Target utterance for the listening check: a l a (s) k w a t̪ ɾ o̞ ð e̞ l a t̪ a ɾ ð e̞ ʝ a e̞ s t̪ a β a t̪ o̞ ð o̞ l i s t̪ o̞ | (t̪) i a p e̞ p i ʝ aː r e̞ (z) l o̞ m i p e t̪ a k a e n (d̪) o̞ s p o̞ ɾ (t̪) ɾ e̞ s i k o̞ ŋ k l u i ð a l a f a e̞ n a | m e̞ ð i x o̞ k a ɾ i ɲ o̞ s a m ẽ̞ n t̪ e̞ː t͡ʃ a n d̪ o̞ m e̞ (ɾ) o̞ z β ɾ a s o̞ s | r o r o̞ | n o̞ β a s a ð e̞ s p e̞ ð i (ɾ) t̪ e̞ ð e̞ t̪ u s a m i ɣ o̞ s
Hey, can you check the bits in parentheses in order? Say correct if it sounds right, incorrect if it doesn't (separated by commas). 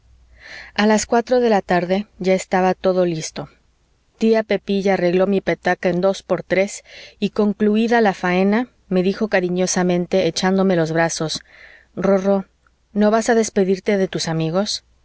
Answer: correct, correct, incorrect, correct, correct, incorrect, correct